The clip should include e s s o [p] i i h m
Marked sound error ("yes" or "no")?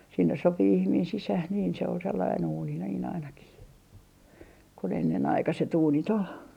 no